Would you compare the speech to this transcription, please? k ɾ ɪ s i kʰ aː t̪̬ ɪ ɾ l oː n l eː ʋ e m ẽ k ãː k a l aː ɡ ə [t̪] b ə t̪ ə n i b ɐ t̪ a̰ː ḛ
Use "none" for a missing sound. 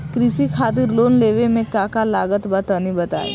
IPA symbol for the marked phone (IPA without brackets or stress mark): t̪